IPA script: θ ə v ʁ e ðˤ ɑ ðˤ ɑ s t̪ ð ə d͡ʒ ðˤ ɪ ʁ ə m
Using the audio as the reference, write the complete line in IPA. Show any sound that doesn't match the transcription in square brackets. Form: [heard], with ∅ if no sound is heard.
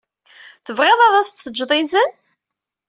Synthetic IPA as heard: θ ə v ʁ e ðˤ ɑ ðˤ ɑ s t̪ [θ] ə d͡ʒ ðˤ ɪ [z] ə [n]